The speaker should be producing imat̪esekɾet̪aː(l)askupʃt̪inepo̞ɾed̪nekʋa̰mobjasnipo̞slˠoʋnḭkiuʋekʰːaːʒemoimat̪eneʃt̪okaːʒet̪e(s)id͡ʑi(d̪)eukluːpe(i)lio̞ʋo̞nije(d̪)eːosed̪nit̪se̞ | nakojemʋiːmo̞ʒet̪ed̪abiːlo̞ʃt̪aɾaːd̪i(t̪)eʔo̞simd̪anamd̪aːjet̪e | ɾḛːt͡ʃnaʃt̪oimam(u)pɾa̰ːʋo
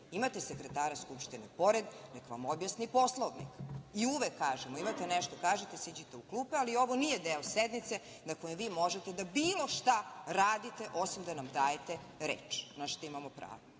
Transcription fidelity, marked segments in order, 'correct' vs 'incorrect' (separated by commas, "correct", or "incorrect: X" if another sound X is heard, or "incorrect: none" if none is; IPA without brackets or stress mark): incorrect: ɾ, correct, incorrect: t̪, incorrect: a, correct, correct, incorrect: o